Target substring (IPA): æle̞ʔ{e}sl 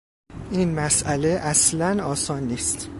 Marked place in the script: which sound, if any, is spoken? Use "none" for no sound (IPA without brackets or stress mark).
æ